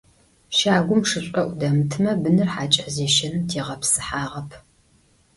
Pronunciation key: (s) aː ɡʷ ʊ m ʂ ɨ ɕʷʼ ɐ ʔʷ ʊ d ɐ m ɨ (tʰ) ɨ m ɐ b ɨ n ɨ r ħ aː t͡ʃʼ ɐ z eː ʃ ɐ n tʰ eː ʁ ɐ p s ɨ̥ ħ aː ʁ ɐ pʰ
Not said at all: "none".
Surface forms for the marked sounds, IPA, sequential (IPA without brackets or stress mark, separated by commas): ʃ, tʰ